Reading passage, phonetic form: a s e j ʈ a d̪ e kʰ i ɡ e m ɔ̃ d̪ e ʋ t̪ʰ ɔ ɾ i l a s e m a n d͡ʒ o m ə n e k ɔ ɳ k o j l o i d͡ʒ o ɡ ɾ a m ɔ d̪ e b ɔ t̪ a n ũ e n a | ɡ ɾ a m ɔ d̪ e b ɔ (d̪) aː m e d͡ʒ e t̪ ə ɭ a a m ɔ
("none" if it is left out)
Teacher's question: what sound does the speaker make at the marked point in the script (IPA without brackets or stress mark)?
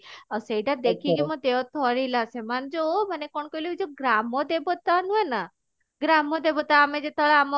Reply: t̪